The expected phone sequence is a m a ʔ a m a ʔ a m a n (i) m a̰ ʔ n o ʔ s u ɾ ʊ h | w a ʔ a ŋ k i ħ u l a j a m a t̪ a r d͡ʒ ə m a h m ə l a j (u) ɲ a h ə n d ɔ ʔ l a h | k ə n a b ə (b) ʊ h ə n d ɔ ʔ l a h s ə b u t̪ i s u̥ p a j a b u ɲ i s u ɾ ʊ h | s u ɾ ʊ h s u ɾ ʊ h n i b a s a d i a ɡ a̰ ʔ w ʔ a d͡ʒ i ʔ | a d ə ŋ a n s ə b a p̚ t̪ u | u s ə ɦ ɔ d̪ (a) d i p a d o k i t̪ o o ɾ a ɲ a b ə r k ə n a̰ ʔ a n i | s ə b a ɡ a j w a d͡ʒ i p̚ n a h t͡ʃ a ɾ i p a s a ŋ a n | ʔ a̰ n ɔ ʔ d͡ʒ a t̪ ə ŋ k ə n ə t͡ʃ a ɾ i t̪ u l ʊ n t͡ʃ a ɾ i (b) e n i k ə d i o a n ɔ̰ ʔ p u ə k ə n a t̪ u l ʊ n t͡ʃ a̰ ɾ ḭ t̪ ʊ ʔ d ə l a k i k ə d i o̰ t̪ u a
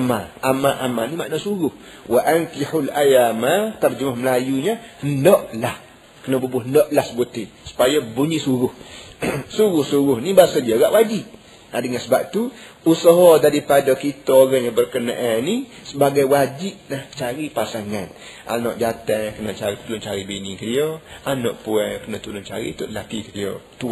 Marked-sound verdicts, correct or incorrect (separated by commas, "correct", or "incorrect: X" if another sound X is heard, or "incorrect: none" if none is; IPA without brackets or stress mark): correct, correct, correct, correct, correct